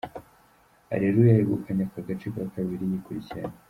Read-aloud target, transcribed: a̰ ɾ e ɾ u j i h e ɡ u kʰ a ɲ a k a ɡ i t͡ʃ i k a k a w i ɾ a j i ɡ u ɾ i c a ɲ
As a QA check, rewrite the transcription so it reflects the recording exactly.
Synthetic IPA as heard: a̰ ɾ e ɾ u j a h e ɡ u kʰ a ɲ a k a ɡ a t͡ʃ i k a k a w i ɾ i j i k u ɾ i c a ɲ

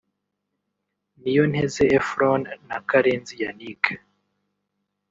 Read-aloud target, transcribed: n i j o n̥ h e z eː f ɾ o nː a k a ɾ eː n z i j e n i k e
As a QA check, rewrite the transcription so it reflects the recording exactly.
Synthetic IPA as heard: n i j o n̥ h e z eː f ɾ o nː a k a ɾ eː n z i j a n i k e

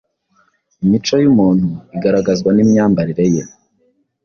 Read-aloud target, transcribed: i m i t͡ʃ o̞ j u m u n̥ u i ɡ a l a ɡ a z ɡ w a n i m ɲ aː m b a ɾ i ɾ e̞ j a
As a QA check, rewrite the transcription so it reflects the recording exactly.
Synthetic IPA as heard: i m i t͡ʃ o̞ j u m uː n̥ u i ɡ a ɾ a ɡ a z ɡ w a n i m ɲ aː m b a ɾ i ɾ e̞ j e

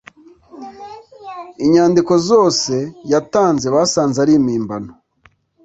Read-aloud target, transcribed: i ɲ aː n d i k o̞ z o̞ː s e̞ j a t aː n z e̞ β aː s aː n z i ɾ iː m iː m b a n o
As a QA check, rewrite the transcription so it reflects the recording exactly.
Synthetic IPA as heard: i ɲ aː n d i k o̞ z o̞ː s e̞ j a t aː n z e̞ β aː s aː n z a ɾ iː m iː m b a n o

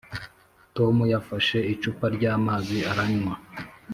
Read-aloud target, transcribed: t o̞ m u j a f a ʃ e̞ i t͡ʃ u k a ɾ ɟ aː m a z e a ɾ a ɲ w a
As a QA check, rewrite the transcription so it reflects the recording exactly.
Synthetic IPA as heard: t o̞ m u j a f a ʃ e̞ i t͡ʃ u p a ɾ ɟ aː m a z i a ɾ a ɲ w a

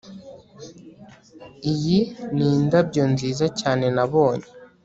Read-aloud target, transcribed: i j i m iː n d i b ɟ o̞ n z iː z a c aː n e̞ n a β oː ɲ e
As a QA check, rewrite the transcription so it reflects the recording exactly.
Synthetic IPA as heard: i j i n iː n d a b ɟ o̞ n z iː z a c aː n e̞ n a β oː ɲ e

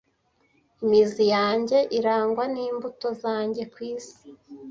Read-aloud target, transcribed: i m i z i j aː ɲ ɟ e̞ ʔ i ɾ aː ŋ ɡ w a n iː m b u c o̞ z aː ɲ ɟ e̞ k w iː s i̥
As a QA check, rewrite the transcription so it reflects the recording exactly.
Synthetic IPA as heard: i m i z i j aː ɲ ɟ e̞ ʔ i ɾ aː ŋ ɡ w a n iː m b u t o̞ z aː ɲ ɟ e̞ k w iː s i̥

